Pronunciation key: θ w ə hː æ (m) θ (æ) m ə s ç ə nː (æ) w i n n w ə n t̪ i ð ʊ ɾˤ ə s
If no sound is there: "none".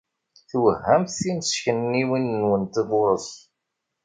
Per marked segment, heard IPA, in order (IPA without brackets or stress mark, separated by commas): m, i, i